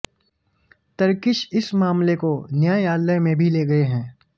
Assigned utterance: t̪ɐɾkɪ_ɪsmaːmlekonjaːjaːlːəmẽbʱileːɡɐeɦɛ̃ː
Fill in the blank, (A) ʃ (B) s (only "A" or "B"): A